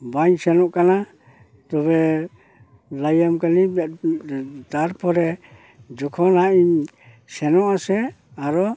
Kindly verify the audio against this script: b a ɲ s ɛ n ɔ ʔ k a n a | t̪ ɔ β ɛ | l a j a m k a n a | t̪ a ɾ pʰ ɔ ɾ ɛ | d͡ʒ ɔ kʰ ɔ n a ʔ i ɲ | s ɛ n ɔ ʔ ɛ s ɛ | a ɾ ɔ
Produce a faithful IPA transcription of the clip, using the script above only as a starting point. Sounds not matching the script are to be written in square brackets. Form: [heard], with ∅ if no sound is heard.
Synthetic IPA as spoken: b a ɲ s ɛ n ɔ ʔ k a n a | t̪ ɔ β ɛ | l a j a m k a n [i] | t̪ a ɾ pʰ ɔ ɾ ɛ | d͡ʒ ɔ kʰ ɔ n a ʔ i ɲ | s ɛ n ɔ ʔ [a] s ɛ | a ɾ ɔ